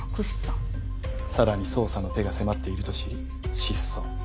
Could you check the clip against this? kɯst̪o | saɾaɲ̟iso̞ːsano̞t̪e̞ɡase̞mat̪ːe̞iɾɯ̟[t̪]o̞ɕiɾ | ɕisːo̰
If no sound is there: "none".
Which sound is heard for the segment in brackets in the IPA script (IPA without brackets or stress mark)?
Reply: t̪